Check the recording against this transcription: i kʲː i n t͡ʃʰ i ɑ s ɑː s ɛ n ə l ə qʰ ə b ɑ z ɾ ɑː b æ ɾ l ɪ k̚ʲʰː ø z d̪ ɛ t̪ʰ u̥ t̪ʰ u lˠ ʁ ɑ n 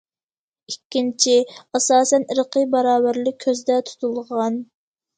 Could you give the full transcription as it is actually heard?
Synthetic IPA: i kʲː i n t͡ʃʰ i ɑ s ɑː s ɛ n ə ɾ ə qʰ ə b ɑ ɾ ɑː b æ ɾ l ɪ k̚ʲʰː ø z d̪ ɛ t̪ʰ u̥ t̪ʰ u lˠ ʁ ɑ n